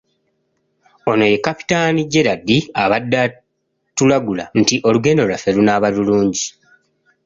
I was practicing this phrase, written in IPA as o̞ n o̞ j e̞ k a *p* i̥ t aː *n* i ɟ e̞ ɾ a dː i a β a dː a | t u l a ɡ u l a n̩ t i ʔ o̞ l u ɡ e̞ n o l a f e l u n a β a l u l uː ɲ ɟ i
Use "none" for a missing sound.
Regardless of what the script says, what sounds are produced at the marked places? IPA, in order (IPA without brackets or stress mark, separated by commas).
p, n